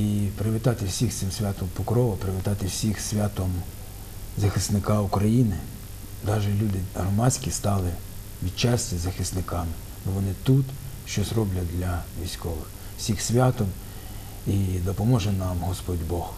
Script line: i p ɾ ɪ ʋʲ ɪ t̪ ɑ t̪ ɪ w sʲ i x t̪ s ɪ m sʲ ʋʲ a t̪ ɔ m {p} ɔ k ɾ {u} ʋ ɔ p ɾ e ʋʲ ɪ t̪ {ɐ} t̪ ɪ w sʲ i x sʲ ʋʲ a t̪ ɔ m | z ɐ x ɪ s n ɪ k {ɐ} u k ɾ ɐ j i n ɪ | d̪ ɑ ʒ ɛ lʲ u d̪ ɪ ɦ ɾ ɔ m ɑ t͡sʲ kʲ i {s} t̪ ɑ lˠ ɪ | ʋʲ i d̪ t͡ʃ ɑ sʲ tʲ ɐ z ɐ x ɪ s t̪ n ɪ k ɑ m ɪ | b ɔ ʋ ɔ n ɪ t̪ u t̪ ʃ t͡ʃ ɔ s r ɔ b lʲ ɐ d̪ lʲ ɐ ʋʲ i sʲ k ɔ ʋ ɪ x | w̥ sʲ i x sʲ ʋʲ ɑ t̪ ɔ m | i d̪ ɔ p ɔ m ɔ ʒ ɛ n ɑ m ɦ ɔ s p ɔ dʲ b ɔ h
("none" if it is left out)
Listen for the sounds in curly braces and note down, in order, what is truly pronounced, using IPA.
p, ɔ, ɑ, ɑ, s

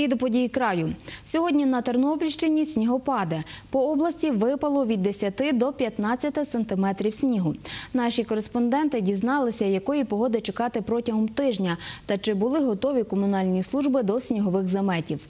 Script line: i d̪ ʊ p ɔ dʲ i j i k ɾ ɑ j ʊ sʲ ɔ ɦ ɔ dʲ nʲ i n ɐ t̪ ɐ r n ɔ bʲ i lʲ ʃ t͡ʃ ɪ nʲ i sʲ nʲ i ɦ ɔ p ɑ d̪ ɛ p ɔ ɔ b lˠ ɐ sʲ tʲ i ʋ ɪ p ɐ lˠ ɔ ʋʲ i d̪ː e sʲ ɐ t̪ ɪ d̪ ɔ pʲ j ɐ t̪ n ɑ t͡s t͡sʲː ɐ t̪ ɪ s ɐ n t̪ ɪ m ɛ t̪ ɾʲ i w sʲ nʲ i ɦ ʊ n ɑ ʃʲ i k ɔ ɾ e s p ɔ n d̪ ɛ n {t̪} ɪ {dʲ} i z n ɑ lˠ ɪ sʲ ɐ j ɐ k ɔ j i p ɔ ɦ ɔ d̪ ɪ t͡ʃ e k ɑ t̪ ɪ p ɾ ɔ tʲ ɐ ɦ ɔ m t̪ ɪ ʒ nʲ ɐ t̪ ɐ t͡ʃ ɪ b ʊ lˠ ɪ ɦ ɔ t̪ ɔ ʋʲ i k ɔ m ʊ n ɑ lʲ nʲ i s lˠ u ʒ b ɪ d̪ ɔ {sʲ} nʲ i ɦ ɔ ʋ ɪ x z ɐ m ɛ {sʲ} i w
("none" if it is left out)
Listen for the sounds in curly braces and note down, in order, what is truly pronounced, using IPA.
t̪, dʲ, sʲ, tʲ

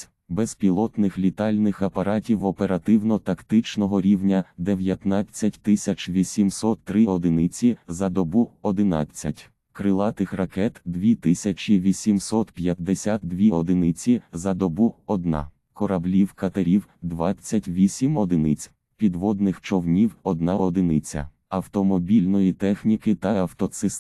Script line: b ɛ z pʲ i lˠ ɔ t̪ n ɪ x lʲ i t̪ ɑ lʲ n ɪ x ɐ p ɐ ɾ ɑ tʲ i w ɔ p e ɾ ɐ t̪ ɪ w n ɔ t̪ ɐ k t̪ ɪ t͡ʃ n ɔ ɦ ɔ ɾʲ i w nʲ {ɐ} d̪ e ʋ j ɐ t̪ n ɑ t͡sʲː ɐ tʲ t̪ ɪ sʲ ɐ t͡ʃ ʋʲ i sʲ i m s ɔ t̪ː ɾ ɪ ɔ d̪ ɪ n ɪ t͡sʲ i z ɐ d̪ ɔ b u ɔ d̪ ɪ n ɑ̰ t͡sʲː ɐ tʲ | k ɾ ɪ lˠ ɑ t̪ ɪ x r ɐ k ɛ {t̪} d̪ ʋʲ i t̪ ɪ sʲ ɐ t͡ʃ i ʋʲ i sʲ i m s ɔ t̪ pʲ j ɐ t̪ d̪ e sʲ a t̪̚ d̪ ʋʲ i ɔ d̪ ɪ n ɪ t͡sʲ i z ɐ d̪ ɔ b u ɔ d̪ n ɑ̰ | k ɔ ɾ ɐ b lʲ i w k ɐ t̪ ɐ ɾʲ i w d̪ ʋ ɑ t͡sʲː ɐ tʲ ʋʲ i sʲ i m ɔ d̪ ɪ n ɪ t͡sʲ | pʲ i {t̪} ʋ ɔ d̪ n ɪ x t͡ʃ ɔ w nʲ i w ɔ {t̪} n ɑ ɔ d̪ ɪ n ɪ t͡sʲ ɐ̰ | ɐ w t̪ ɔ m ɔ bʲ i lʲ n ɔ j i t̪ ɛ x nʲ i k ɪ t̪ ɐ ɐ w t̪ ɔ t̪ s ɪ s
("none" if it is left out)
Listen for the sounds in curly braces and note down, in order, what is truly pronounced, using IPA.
ɐ, t̪, d̪, d̪

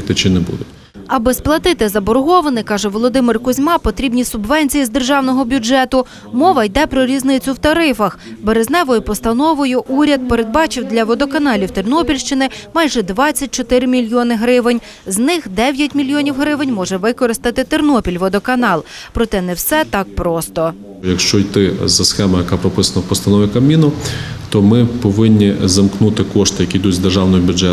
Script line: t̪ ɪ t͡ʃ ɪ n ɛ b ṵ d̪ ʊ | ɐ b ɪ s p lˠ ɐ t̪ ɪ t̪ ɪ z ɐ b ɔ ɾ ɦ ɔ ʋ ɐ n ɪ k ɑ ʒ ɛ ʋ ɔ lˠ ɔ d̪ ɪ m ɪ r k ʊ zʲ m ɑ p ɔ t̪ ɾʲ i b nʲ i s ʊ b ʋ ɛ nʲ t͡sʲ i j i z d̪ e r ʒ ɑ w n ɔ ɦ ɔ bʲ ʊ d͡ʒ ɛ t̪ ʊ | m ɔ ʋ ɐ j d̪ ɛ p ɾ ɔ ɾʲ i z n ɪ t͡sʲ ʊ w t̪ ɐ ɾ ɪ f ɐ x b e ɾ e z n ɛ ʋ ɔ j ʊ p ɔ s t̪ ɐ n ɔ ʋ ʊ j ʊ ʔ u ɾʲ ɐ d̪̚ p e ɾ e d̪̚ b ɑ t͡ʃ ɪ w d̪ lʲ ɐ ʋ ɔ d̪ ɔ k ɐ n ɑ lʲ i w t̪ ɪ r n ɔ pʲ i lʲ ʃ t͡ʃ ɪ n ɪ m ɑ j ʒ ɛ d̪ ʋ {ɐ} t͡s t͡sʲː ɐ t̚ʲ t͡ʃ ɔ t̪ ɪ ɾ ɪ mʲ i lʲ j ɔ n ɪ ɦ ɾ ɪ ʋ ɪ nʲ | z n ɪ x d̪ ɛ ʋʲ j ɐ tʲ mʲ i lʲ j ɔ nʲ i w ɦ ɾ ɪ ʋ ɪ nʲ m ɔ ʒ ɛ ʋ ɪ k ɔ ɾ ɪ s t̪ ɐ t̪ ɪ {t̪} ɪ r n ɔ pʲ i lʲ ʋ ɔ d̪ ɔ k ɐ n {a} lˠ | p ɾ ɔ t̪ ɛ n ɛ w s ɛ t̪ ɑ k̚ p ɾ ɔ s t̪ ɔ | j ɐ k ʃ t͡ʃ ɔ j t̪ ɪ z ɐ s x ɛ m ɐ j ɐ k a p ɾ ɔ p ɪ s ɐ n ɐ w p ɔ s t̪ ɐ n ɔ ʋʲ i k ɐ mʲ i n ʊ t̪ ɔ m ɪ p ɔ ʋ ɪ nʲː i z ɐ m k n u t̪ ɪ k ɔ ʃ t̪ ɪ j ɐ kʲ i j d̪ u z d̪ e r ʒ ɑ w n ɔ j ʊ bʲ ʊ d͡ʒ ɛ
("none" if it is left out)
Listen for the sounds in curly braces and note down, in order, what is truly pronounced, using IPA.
ɑ, t̪, ɑ

